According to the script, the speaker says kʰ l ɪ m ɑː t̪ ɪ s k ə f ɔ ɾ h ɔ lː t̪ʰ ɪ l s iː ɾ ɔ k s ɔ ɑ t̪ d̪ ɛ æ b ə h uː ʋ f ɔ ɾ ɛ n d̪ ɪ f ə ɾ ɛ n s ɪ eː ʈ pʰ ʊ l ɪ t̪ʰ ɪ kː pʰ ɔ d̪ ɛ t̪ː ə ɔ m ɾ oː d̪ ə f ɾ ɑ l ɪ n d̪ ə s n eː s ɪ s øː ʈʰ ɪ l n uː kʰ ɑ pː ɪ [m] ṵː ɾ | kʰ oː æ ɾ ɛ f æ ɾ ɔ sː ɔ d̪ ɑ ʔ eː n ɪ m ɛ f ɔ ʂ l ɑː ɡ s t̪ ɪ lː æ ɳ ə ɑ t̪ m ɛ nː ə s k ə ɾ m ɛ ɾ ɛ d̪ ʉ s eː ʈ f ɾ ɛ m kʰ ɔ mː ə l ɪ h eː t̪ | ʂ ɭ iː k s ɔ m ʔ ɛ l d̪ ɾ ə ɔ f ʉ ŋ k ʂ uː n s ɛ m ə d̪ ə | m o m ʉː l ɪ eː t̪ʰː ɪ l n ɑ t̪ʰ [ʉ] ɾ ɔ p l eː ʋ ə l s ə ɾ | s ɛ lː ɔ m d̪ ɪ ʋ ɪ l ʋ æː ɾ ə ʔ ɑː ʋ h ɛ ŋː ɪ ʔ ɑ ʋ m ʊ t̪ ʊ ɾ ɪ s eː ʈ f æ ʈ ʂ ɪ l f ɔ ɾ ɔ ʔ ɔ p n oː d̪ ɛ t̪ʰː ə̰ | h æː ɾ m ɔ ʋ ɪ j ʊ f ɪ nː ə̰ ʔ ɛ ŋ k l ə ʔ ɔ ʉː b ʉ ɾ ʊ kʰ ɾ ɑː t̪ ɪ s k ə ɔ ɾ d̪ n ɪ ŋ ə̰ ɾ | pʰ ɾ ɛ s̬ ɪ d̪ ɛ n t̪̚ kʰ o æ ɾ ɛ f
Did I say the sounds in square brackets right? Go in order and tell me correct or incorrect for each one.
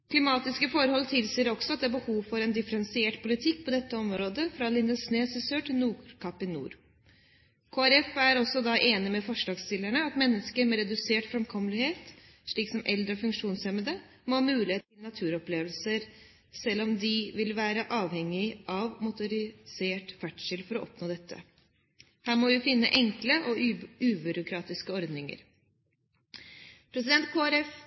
incorrect: n, incorrect: ʉː

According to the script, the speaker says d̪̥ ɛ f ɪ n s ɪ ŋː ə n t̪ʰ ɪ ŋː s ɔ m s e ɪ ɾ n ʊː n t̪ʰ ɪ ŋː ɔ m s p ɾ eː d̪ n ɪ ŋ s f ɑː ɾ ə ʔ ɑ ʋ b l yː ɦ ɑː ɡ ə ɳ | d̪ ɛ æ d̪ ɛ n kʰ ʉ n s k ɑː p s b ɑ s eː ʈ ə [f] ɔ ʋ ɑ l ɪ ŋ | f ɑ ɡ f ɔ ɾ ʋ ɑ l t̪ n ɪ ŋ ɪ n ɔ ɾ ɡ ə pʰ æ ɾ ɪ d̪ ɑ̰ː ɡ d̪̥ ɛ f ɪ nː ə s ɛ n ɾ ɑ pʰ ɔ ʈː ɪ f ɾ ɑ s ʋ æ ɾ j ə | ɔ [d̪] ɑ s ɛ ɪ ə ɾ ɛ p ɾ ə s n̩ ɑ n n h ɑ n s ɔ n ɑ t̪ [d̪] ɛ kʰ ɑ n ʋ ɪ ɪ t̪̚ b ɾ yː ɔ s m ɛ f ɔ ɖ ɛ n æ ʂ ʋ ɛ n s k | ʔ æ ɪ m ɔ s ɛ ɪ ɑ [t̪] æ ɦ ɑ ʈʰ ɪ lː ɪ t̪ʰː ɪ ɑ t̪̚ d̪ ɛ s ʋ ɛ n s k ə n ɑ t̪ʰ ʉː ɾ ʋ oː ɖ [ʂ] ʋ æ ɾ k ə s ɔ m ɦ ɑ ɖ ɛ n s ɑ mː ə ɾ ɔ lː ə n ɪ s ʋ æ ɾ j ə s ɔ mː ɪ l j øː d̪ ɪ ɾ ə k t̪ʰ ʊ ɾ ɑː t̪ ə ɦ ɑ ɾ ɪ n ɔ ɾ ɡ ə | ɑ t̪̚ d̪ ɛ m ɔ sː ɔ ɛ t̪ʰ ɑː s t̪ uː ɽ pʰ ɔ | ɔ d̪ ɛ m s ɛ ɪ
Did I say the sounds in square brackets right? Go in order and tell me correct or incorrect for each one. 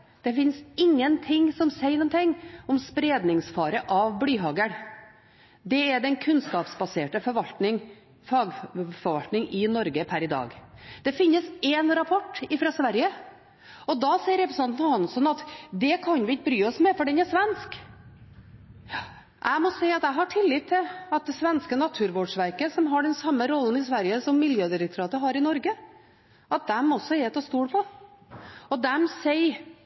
correct, correct, correct, correct, correct

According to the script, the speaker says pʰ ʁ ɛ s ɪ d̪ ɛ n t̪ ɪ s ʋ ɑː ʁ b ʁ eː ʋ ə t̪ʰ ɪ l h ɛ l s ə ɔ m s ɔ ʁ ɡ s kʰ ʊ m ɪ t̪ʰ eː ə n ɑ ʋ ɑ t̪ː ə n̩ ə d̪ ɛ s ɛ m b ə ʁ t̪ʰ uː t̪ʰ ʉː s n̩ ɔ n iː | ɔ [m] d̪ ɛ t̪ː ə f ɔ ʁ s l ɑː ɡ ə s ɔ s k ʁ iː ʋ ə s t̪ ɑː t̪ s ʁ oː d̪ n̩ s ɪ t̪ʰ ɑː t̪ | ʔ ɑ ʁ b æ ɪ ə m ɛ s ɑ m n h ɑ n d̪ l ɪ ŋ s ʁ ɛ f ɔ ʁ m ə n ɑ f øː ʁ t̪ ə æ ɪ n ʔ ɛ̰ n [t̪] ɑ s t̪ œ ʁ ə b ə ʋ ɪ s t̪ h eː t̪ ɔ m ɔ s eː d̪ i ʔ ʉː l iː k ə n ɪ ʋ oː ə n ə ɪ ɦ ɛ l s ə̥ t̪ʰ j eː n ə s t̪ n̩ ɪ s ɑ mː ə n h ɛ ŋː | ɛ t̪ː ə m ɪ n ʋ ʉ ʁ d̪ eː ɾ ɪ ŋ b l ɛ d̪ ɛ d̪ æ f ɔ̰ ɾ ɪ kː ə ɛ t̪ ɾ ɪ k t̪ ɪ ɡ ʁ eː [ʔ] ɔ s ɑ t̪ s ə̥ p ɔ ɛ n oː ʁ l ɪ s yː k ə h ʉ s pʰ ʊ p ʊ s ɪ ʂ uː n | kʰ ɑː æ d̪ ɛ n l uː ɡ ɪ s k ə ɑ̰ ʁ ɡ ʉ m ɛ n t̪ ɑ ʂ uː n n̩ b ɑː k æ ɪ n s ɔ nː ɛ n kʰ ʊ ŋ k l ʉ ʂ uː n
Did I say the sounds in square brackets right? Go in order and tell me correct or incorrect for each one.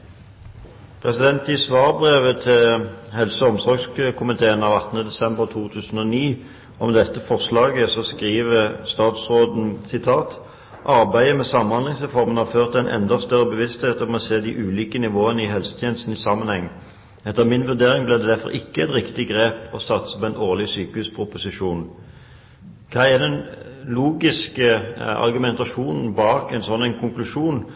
correct, incorrect: d̪, incorrect: p

